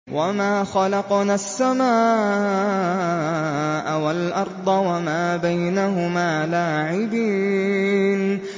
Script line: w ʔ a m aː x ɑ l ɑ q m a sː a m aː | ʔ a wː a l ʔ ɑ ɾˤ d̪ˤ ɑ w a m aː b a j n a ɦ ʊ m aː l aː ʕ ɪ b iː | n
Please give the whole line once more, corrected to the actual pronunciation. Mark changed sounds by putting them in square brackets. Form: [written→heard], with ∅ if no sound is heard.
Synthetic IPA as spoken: w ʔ a m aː x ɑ l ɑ q [m→n] a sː a m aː | ʔ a [wː→w] a l ʔ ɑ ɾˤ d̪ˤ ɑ w a m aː b a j n a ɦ ʊ m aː l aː ʕ ɪ b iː | n